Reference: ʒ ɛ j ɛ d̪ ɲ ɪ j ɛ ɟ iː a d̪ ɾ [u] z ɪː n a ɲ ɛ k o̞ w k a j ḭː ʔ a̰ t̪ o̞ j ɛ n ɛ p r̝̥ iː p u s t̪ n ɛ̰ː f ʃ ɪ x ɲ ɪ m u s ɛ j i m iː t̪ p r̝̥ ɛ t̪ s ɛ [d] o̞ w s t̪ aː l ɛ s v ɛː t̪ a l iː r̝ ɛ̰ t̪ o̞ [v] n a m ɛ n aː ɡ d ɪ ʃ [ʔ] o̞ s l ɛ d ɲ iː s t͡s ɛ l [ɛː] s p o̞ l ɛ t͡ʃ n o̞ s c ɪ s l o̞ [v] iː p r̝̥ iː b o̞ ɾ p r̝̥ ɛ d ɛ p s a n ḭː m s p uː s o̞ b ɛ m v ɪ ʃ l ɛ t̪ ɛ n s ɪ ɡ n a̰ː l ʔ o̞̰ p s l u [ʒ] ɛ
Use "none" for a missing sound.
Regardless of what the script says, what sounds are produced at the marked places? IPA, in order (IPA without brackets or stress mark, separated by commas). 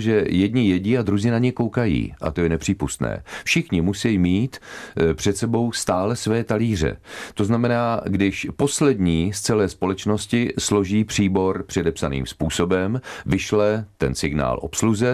u, b, z, p, ɛː, ʒ, z